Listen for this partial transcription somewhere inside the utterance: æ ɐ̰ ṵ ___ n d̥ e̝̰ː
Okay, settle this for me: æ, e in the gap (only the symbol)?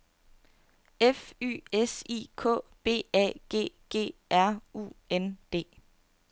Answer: e